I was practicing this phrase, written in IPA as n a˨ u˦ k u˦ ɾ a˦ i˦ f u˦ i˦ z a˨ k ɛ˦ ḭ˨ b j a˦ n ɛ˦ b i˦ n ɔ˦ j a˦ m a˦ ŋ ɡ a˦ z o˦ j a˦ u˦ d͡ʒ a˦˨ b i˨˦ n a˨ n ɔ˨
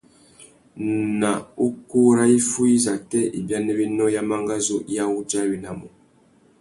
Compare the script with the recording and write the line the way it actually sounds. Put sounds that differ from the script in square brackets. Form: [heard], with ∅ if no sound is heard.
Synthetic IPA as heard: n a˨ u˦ k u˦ ɾ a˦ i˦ f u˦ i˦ z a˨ [t] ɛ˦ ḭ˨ b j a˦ n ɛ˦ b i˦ n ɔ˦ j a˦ m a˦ ŋ ɡ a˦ z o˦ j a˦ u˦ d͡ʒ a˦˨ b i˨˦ n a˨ [m] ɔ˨